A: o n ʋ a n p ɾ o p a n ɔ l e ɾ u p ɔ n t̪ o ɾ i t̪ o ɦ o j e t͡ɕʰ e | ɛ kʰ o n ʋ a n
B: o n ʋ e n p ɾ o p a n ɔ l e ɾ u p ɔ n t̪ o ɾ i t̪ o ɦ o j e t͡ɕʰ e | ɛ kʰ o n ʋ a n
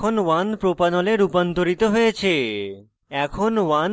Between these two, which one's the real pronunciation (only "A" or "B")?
A